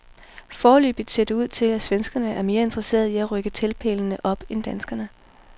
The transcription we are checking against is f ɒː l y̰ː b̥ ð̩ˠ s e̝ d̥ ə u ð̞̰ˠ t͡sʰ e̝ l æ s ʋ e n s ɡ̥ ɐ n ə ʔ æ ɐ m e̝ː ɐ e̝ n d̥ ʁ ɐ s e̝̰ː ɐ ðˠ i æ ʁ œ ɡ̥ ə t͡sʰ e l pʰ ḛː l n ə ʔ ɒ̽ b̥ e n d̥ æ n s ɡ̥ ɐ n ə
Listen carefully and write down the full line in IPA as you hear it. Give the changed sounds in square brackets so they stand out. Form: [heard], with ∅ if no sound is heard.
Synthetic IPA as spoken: f ɒː l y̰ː b̥ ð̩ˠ s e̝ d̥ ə u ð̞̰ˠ t͡sʰ e̝ l æ s ʋ e n s ɡ̥ ɐ n ə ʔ æ ɐ m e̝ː ɐ e̝ n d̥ ʁ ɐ s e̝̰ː ɐ ðˠ i æ ʁ œ ɡ̥ ə t͡sʰ e l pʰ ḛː l n ə ʔ ɒ̽ b̥ e n d̥ æ n s ɡ̥ ɐ n ə